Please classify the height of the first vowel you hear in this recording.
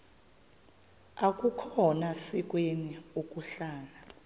low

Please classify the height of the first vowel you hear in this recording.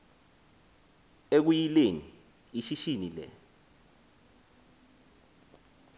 mid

